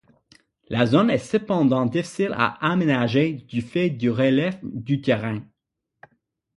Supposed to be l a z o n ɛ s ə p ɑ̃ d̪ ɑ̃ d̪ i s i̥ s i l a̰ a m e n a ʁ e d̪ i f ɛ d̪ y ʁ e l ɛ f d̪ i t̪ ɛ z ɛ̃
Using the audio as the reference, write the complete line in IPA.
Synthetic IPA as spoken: l a z o n ɛ s ə p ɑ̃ d̪ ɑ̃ d̪ i f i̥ s i l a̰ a m e n a ʒ e d̪ y f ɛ d̪ y ʁ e l ɛ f d̪ y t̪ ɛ ʁ ɛ̃